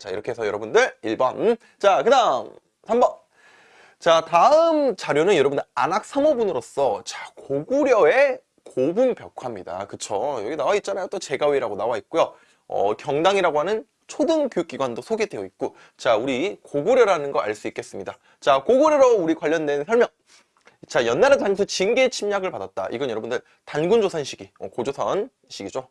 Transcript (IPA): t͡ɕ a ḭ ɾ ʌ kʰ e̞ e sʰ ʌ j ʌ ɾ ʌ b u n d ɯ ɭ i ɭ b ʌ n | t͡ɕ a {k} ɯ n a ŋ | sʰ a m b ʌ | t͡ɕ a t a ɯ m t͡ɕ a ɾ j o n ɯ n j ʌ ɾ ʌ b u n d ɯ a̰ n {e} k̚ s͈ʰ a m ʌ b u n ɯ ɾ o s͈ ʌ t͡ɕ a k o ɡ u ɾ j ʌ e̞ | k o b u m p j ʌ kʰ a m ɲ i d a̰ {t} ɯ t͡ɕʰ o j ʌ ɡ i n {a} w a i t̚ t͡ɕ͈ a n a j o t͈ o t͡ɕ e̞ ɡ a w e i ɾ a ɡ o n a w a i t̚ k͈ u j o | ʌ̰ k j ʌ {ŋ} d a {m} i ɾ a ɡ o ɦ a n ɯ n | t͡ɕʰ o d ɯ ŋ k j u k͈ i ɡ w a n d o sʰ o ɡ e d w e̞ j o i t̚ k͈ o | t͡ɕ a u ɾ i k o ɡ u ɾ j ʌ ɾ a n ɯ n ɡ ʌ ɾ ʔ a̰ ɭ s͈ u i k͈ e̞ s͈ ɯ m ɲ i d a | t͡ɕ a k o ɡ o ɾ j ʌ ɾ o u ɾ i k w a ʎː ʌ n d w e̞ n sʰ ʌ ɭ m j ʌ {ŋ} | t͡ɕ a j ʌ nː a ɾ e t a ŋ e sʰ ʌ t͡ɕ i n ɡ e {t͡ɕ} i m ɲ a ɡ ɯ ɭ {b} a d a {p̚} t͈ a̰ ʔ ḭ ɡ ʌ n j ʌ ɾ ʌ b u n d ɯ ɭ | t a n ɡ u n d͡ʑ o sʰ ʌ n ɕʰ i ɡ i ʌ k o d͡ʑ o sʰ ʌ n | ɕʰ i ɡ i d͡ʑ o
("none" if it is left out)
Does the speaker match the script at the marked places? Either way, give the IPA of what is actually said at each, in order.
k, a, k, a, ŋ, ŋ, ŋ, t͡ɕʰ, p, t̚

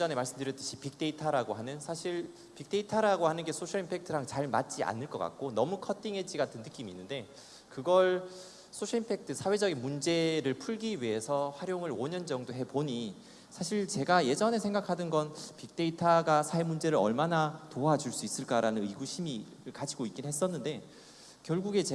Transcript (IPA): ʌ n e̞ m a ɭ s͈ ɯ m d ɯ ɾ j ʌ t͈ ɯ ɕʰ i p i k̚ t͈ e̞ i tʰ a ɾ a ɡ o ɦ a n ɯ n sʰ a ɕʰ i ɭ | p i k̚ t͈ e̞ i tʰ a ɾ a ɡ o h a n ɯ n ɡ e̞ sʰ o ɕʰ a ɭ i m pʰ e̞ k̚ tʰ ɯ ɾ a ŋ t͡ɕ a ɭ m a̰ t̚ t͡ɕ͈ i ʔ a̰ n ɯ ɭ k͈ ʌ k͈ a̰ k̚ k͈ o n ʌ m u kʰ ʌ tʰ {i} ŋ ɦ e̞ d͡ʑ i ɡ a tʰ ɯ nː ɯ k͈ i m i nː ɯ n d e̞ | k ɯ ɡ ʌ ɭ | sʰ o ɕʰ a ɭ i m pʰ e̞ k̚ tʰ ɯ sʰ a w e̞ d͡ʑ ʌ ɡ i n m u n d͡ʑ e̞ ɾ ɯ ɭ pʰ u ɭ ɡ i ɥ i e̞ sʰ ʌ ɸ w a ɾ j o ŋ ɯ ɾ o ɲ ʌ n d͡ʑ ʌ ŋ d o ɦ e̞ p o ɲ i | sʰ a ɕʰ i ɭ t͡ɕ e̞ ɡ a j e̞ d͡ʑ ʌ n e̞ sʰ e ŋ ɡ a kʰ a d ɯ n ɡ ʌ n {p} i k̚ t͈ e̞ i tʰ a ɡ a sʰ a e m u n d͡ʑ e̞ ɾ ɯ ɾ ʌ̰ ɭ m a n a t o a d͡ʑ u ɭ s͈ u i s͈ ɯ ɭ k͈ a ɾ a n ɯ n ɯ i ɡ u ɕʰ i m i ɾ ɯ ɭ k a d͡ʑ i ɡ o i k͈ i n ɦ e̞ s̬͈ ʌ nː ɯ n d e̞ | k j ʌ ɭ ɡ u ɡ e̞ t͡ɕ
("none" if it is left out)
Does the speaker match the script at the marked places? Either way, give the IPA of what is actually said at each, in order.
i, p

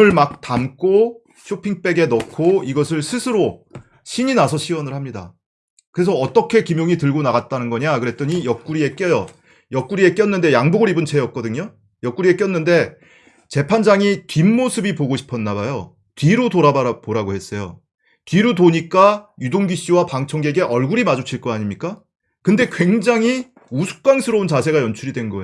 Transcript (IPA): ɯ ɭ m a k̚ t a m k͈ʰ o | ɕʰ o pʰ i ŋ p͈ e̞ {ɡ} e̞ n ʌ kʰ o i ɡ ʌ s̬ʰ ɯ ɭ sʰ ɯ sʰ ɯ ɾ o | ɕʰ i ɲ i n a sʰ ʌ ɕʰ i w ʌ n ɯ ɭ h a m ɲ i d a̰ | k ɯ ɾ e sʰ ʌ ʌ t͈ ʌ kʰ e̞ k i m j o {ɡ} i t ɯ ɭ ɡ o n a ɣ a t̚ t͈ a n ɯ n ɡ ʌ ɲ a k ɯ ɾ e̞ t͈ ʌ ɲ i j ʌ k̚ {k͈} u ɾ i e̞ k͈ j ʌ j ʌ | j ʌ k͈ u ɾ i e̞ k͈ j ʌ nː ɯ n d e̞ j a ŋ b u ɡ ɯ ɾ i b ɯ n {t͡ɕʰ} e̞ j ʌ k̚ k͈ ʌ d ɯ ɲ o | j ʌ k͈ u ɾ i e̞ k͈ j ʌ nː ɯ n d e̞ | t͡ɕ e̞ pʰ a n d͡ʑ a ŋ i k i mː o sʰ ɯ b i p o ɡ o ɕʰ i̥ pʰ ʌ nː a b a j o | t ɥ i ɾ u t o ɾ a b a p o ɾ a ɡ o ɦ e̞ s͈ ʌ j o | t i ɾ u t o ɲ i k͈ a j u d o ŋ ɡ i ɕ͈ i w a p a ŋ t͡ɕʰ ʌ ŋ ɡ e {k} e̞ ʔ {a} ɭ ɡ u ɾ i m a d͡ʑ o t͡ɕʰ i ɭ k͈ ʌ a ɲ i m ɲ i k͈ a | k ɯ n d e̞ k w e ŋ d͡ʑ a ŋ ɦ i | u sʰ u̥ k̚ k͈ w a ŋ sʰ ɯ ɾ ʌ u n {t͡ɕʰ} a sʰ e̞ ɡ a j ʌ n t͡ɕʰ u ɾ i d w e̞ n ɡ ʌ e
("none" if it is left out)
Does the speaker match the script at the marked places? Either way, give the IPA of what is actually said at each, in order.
ɡ, ŋ, k͈, t͡ɕʰ, ɡ, ʌ, t͡ɕ

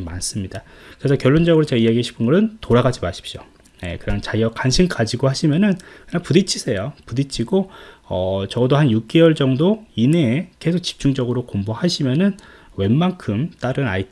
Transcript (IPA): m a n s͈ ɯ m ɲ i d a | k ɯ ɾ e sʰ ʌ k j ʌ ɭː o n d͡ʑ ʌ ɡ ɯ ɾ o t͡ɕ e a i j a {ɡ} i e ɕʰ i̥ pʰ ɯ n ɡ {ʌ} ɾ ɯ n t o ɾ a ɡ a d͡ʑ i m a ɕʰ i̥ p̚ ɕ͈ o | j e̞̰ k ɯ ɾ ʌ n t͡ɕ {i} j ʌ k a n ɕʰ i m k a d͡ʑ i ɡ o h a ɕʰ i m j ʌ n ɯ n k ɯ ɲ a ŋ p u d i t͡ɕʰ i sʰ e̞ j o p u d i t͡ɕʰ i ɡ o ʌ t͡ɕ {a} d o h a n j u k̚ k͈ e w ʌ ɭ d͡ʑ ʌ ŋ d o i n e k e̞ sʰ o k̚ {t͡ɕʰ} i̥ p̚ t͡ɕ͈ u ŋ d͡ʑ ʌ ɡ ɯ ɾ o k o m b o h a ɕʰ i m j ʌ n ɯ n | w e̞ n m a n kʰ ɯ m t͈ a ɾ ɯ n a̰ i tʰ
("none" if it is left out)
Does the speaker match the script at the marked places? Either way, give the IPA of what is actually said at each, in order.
ɡ, ʌ, a, ʌ, t͡ɕ

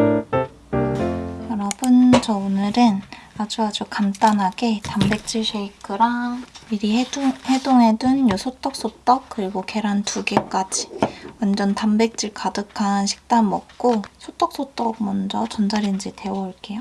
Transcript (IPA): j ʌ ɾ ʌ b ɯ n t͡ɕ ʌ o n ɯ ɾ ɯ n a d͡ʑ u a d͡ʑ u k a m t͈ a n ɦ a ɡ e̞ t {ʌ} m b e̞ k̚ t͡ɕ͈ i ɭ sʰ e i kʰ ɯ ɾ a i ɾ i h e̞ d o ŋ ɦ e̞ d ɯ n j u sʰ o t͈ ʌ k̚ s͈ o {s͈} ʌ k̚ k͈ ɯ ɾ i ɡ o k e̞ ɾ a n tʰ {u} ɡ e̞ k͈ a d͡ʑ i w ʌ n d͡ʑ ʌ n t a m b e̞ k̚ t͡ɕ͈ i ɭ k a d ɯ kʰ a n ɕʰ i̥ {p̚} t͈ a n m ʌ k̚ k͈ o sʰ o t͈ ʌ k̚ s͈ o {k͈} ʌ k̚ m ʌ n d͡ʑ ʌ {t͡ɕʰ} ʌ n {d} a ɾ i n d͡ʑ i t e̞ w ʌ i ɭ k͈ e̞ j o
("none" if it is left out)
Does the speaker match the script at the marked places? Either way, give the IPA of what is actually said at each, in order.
a, t͈, u, k̚, t͈, t͡ɕ, d͡ʑ

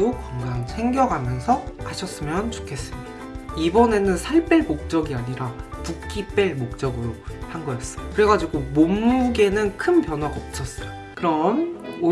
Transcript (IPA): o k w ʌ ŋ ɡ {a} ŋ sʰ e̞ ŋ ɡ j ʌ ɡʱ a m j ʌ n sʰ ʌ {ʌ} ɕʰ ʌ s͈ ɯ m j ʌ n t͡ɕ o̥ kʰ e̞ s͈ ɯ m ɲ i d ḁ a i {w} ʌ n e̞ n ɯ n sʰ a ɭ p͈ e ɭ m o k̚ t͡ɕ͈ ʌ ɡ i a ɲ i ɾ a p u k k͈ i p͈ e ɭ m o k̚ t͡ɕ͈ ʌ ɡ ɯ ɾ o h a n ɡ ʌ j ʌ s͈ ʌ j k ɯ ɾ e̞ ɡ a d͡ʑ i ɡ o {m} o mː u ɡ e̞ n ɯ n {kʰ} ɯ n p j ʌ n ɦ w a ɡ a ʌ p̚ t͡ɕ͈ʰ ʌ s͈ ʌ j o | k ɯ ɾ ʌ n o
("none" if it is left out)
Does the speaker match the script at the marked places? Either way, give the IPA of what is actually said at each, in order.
a, a, b, m, kʰ

